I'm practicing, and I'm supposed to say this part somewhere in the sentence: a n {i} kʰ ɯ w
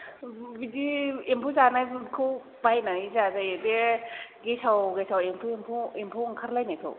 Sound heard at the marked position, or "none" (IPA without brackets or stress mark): a